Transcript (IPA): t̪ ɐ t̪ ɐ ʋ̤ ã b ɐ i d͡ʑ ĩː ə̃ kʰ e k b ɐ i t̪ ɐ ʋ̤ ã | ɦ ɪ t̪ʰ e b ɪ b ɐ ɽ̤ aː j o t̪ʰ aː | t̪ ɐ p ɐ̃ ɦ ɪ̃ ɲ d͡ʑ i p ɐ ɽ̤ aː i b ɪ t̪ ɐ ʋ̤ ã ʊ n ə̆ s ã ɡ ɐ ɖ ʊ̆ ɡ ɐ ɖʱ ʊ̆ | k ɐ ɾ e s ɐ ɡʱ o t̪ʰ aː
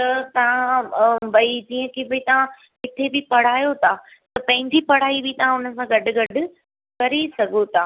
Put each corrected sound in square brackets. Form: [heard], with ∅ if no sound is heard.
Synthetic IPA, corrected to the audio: t̪ ɐ t̪ ɐ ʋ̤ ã b ɐ i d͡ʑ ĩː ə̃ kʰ e [∅] b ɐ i t̪ ɐ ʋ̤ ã | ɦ ɪ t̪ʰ e b ɪ [p] ɐ ɽ̤ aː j o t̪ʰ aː | t̪ ɐ p ɐ̃ ɦ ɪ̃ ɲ d͡ʑ i p ɐ ɽ̤ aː i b ɪ t̪ ɐ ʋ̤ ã ʊ n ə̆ s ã ɡ ɐ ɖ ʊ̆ ɡ ɐ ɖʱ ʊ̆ | k ɐ ɾ e s ɐ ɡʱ o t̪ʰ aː